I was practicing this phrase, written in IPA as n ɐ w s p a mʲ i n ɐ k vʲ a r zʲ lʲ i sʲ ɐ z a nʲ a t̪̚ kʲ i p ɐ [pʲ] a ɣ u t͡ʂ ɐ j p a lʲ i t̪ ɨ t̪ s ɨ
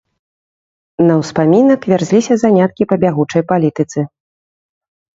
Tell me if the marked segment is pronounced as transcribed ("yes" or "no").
no